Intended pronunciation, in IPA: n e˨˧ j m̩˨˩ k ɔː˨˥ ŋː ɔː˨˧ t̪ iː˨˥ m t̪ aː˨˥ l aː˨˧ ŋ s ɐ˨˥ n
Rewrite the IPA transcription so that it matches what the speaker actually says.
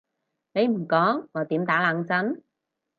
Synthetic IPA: n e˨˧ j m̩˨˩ k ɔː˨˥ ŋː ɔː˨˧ t̪ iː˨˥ m t̪ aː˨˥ l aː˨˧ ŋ t͡s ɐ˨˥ n